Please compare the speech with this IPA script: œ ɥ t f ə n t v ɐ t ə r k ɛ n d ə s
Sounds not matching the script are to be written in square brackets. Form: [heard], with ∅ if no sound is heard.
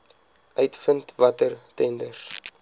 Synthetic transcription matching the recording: œ ɥ t f ə n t v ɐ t ə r [t] ɛ n d ə s